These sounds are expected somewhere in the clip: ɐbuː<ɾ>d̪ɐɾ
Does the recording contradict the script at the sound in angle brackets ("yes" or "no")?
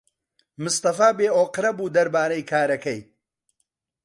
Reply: yes